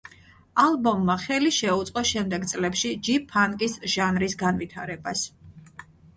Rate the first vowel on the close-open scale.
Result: open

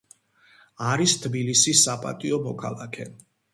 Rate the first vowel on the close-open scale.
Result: open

